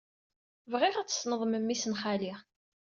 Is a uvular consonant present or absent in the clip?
present